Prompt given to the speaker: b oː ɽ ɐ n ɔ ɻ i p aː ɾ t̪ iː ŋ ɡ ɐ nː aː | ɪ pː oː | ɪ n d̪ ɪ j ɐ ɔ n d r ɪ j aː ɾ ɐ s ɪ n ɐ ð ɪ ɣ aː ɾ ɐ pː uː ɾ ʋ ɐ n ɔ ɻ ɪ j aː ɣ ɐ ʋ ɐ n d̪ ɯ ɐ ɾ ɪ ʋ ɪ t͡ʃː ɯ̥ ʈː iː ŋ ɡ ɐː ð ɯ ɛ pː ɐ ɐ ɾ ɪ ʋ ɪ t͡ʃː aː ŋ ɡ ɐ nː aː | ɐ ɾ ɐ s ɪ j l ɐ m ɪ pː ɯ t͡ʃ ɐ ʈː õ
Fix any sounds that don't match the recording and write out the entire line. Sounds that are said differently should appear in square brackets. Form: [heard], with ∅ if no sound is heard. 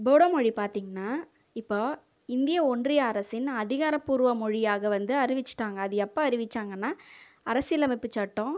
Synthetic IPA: b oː ɽ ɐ [m] ɔ ɻ i p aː ɾ t̪ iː ŋ ɡ ɐ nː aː | ɪ pː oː | ɪ n d̪ ɪ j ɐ ɔ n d r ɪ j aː ɾ ɐ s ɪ n ɐ ð ɪ ɣ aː ɾ ɐ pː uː ɾ ʋ ɐ [m] ɔ ɻ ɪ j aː ɣ ɐ ʋ ɐ n d̪ ɯ ɐ ɾ ɪ ʋ ɪ t͡ʃː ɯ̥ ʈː [aː] ŋ ɡ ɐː ð ɯ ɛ pː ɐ ɐ ɾ ɪ ʋ ɪ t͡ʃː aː ŋ ɡ ɐ nː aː | ɐ ɾ ɐ s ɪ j l ɐ m ɪ pː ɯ t͡ʃ ɐ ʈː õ